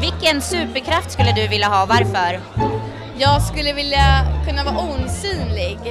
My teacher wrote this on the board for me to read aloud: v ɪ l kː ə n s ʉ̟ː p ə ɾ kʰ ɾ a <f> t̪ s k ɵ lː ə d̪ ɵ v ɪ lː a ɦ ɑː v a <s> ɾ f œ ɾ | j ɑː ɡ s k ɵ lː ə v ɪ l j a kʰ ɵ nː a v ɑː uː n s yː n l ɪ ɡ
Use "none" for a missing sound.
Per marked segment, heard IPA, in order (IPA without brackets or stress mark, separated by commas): f, none